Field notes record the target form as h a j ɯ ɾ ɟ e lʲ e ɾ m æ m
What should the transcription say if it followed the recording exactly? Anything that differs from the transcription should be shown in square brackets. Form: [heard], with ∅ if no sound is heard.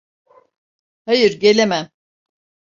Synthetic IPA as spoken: h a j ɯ ɾ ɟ e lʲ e [∅] m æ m